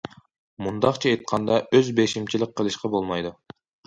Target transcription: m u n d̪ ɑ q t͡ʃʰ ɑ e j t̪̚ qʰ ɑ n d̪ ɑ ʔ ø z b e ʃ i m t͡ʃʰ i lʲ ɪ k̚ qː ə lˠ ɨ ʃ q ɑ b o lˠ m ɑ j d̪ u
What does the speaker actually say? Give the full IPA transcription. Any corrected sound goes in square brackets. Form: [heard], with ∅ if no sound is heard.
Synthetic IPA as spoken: m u n d̪ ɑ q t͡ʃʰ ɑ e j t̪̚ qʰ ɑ n d̪ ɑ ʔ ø z b e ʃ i m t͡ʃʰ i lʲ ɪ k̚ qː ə lˠ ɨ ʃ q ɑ b o lˠ m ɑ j d̪ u

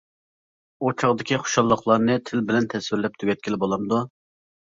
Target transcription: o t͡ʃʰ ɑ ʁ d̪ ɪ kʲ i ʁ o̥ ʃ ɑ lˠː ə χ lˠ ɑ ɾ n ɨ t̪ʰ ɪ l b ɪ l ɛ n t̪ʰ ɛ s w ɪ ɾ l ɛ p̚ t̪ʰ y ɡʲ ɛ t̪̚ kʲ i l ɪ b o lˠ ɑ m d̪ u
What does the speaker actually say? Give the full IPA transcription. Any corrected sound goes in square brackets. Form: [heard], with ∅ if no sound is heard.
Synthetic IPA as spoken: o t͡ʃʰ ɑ ʁ d̪ ɪ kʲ i [χ] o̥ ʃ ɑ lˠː ə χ lˠ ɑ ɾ n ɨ t̪ʰ ɪ l b ɪ l ɛ n t̪ʰ ɛ s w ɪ ɾ l ɛ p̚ t̪ʰ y ɡʲ ɛ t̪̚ kʲ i l ɪ b o lˠ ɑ m d̪ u

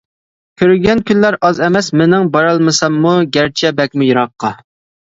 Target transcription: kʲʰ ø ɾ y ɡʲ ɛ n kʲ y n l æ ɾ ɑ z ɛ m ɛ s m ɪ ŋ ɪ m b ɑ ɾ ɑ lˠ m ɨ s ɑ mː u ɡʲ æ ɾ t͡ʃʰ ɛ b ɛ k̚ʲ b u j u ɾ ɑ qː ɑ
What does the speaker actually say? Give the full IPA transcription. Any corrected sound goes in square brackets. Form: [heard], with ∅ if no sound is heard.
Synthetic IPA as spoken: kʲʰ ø ɾ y ɡʲ ɛ n kʲ y n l æ ɾ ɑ z ɛ m ɛ s m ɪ [n] ɪ [ŋ] b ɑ ɾ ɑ lˠ m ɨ s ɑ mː u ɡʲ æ ɾ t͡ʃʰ ɛ b ɛ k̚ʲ [m] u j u ɾ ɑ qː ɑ

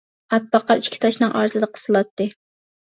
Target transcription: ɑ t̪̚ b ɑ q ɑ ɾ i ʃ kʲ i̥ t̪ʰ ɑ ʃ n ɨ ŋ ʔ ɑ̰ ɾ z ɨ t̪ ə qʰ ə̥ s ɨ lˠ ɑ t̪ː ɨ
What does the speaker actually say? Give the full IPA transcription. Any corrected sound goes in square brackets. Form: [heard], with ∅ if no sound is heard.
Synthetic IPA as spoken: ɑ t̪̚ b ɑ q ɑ ɾ i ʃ kʲ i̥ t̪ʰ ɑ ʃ n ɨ ŋ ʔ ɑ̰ ɾ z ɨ [d̪] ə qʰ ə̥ s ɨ lˠ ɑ t̪ː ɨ

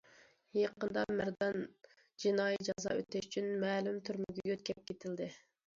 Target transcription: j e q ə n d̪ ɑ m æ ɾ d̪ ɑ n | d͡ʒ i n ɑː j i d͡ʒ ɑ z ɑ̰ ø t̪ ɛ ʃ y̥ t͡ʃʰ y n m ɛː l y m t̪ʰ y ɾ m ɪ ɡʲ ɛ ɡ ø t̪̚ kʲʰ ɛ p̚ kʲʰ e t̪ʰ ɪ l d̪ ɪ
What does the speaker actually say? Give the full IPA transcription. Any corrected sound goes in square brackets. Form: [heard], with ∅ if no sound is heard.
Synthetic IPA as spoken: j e q ə n d̪ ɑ m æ ɾ d̪ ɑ n | d͡ʒ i n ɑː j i d͡ʒ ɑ z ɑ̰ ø t̪ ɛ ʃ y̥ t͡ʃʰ y n m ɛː l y m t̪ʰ y ɾ m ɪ ɡʲ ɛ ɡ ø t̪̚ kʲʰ ɛ p̚ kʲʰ e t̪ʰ ɪ l d̪ ɪ

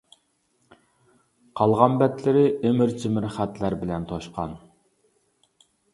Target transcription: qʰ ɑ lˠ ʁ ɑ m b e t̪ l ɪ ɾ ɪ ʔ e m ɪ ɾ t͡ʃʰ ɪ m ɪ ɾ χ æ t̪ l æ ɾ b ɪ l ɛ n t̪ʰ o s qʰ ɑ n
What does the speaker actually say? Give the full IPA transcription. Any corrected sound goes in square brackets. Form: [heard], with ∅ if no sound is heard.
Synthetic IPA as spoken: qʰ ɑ lˠ ʁ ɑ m b [ɛ] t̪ l ɪ ɾ ɪ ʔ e m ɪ ɾ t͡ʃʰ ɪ m ɪ ɾ χ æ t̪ l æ ɾ b ɪ l ɛ n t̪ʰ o [ʃ] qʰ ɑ n

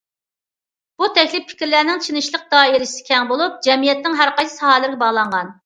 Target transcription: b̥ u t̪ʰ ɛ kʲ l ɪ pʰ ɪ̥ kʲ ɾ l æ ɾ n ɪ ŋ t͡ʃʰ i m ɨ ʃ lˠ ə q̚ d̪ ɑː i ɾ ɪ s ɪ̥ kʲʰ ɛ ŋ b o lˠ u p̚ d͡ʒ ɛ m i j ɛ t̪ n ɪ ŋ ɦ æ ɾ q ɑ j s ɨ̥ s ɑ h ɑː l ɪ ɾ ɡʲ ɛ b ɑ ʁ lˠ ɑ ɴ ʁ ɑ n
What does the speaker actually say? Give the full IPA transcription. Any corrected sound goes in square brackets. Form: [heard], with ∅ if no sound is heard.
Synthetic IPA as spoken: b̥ u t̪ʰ ɛ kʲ l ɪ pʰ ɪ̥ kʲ ɾ l æ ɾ n ɪ ŋ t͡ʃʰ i [n] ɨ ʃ lˠ ə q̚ d̪ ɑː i ɾ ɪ s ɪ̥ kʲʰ ɛ ŋ b o lˠ u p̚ d͡ʒ ɛ m i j ɛ t̪ n ɪ ŋ ɦ æ ɾ q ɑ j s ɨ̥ s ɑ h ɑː l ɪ ɾ ɡʲ ɛ b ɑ ʁ lˠ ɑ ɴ ʁ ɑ n

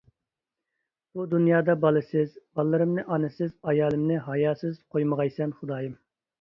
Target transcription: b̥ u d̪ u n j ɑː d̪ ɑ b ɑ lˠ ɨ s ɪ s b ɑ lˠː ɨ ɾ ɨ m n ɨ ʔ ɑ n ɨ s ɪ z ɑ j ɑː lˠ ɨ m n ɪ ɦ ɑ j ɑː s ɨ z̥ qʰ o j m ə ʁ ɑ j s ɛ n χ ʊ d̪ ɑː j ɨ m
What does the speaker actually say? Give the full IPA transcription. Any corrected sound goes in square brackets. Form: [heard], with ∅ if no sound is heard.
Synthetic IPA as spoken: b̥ u d̪ u n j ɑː d̪ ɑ b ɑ lˠ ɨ s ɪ [z] b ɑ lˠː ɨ ɾ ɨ m n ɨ ʔ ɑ n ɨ s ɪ z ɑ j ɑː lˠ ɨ m n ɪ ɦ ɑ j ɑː s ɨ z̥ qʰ o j m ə ʁ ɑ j s ɛ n χ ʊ d̪ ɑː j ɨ m

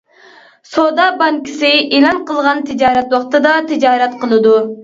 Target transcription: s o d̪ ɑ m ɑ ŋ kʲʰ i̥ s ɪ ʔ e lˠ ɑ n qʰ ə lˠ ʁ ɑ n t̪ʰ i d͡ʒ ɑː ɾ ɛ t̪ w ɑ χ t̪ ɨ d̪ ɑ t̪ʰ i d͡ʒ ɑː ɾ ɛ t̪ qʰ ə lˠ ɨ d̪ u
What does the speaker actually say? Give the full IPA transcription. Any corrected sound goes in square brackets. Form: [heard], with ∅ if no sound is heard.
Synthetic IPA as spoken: s o d̪ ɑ [b] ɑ ŋ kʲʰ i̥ s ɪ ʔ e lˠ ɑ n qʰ ə lˠ ʁ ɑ n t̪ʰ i d͡ʒ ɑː ɾ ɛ t̪ w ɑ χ t̪ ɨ d̪ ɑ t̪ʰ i d͡ʒ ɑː ɾ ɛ t̪ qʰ ə lˠ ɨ d̪ u

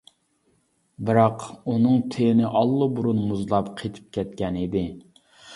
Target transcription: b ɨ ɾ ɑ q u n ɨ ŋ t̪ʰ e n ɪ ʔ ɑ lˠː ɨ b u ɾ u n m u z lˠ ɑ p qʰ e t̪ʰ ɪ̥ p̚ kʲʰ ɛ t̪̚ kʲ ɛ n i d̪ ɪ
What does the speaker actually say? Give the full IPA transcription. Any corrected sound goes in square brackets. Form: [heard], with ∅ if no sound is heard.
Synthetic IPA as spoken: b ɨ ɾ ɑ q u n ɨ ŋ t̪ʰ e n ɪ ʔ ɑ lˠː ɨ b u ɾ u n m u z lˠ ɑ p qʰ e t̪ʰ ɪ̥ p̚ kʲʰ ɛ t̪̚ kʲ ɛ n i d̪ ɪ

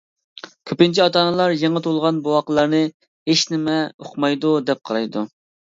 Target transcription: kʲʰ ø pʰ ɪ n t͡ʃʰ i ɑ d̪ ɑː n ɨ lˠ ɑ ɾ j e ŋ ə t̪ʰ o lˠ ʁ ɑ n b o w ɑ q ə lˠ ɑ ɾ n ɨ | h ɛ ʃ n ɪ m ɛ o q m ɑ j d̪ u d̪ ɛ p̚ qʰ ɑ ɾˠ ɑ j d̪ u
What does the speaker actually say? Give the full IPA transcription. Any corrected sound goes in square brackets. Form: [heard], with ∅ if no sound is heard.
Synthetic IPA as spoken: kʲʰ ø [p] ɪ n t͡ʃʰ i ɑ [t̪] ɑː n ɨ lˠ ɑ ɾ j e ŋ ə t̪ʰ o lˠ ʁ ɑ n b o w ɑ q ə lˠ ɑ ɾ n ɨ | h [e] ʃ n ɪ m ɛ o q m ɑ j d̪ u d̪ ɛ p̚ qʰ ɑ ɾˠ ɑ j d̪ u

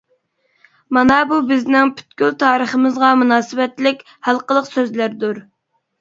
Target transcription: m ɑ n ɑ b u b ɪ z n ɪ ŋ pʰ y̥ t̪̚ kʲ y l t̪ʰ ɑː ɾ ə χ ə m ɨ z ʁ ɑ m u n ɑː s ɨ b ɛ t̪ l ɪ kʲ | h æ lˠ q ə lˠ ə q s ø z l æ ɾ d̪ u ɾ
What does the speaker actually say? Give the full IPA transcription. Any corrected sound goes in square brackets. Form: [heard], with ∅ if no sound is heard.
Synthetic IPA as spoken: m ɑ n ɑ b u b ɪ z n ɪ ŋ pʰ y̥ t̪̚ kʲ y l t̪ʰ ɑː ɾ ə χ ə m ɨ z ʁ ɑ m u n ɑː s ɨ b ɛ t̪ l ɪ kʲ | h æ lˠ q ə lˠ ə q s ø z l æ ɾ d̪ u ɾ

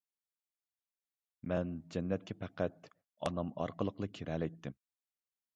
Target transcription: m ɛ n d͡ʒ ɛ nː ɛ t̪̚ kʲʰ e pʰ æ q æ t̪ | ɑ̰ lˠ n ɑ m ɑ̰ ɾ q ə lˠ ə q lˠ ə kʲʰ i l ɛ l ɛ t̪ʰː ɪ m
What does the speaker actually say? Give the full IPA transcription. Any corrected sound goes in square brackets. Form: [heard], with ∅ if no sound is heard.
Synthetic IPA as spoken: m ɛ n d͡ʒ ɛ nː ɛ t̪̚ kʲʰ [ɛ] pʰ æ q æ t̪ | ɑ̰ [∅] n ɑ m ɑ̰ ɾ q ə lˠ ə q lˠ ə kʲʰ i [ɾ] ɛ l ɛ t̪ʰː ɪ m

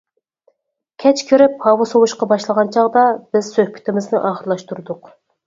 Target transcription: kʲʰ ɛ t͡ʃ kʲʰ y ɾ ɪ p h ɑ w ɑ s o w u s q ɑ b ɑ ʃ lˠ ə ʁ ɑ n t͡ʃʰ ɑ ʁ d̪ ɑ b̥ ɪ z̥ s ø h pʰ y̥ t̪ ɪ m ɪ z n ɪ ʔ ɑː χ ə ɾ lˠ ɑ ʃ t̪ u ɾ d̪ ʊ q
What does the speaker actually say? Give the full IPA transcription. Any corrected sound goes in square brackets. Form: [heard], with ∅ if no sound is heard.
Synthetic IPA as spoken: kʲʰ ɛ t͡ʃ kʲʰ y ɾ ɪ p h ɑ w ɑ s o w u [ʃ] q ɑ b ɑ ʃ lˠ ə ʁ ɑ n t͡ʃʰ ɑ ʁ d̪ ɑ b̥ ɪ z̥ s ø h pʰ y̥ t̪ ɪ m ɪ z n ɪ ʔ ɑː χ ə ɾ lˠ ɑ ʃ t̪ u ɾ d̪ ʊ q

